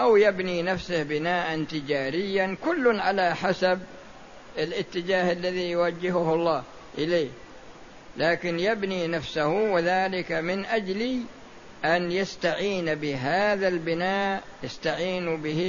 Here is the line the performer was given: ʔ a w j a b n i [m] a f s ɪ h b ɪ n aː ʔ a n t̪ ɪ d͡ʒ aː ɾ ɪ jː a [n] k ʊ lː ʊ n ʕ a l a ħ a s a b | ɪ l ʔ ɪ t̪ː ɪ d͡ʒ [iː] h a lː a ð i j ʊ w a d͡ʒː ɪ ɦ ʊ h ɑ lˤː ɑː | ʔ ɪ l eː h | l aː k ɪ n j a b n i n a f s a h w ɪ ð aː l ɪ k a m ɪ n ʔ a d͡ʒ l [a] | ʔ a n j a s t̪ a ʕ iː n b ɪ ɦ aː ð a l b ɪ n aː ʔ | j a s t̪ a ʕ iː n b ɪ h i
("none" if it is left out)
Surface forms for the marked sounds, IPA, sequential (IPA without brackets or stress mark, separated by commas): n, n, aː, i